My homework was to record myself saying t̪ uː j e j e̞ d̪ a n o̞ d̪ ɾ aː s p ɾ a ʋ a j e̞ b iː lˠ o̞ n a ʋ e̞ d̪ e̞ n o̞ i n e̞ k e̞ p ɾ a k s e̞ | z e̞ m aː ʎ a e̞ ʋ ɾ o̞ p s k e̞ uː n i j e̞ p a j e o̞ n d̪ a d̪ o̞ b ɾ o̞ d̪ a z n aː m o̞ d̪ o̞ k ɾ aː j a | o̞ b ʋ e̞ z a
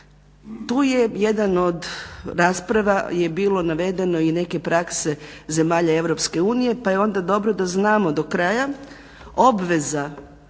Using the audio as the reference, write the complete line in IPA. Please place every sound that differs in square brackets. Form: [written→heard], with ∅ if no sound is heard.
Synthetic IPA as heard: t̪ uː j e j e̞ d̪ a n o̞ d̪ ɾ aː s p ɾ a ʋ a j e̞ b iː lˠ o̞ n a ʋ e̞ d̪ e̞ n o̞ i n e̞ k e̞ p ɾ a k s e̞ | z e̞ m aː ʎ a e̞ ʋ ɾ o̞ p s k e̞ uː n i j e̞ p a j e o̞ n d̪ a d̪ o̞ b ɾ o̞ d̪ a z n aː m o̞ d̪ o̞ k ɾ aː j a | o̞ b ʋ e̞ z a